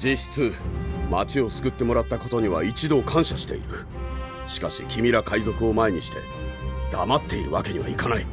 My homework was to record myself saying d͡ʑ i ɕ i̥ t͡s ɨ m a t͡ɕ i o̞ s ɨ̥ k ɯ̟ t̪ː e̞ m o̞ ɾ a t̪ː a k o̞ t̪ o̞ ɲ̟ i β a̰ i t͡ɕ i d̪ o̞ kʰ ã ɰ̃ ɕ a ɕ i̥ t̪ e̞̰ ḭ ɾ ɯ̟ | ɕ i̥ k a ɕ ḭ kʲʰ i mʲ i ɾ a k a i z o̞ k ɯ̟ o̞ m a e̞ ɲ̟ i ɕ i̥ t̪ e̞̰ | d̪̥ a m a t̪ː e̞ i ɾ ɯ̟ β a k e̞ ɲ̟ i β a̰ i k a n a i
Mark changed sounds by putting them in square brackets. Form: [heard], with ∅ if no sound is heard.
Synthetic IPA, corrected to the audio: d͡ʑ i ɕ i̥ t͡s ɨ m a t͡ɕ i o̞ s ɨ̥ k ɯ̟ t̪ː e̞ m o̞ ɾ a t̪ː a k o̞ t̪ o̞ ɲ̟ i β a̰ i t͡ɕ i d̪ o̞ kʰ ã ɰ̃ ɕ a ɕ i̥ t̪ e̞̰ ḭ ɾ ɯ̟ | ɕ i̥ k a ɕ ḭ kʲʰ i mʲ i ɾ a k a i z o̞ k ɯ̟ o̞ m a e̞ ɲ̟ i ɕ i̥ t̪ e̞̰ | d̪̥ a m a t̪ː e̞ i ɾ ɯ̟ β a k e̞ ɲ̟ i β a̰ i k a n a i